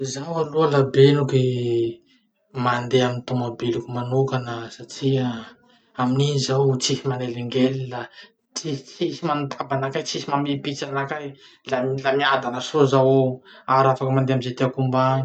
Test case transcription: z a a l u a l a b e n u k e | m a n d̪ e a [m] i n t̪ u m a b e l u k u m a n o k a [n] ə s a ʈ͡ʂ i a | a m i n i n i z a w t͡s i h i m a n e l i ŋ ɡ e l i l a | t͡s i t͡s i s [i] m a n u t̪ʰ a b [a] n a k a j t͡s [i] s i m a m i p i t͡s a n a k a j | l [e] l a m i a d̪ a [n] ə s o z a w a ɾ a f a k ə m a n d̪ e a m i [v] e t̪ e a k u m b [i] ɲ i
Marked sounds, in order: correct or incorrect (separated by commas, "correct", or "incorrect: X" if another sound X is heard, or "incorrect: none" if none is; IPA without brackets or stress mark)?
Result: correct, correct, correct, correct, correct, incorrect: a, correct, incorrect: z, incorrect: a